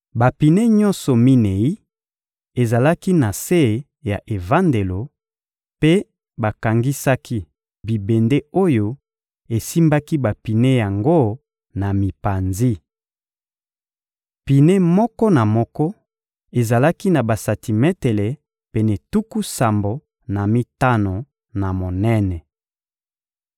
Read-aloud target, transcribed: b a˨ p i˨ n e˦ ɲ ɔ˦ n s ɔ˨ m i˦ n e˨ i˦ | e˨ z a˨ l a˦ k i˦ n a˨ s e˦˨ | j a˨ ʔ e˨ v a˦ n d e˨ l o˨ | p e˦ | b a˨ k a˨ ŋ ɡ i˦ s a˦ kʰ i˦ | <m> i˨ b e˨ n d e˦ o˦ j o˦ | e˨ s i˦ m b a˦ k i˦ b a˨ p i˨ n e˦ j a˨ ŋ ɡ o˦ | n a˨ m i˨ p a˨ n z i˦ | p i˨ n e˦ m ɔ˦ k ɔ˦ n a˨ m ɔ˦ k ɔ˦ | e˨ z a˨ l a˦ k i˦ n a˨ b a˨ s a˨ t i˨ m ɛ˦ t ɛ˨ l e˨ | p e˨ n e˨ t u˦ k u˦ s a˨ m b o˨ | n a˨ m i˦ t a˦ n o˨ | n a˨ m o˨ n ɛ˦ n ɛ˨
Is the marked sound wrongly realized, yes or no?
yes